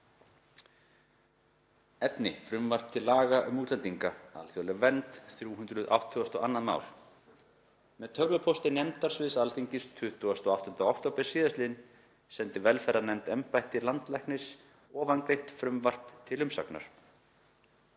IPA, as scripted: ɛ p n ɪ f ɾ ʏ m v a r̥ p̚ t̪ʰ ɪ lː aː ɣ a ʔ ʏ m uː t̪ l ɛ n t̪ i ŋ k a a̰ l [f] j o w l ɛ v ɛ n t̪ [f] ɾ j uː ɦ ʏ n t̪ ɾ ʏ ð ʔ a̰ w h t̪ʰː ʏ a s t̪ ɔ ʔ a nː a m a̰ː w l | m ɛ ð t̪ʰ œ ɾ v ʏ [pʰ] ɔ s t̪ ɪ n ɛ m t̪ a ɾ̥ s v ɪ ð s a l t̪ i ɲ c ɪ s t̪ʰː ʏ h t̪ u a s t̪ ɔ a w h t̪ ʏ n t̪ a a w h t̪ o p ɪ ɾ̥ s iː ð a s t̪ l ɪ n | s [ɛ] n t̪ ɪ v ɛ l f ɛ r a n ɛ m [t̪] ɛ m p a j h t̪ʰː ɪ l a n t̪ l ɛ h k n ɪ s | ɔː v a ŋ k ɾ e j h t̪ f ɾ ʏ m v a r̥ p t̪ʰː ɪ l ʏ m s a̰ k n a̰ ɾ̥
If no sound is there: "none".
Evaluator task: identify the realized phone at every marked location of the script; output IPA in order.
θ, θ, pʰ, ɛ, t̪

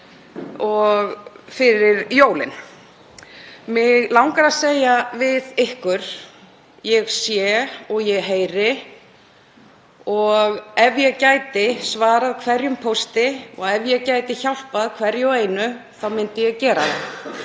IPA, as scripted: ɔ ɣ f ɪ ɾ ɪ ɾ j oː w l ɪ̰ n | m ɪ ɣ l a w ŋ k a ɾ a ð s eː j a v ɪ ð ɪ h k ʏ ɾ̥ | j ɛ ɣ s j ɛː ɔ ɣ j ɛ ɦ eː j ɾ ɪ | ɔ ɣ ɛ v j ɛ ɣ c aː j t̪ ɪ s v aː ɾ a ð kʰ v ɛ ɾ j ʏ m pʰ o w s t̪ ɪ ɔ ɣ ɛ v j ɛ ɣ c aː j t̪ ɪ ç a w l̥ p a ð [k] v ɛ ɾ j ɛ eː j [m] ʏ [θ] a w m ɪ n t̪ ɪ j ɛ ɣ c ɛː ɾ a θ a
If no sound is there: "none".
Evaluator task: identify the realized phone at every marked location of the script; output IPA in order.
kʰ, n, θ

